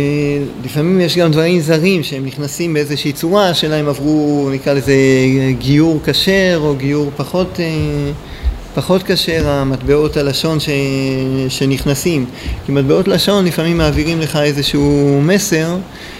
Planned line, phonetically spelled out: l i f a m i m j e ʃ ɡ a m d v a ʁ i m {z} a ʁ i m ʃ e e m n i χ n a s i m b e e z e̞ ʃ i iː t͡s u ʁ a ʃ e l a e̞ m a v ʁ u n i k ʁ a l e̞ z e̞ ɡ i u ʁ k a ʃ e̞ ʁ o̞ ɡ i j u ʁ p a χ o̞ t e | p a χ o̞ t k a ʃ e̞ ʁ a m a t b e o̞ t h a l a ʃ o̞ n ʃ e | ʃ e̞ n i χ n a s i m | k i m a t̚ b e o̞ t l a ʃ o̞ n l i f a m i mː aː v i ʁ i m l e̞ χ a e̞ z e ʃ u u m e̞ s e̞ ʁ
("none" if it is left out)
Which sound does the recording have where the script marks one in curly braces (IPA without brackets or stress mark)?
z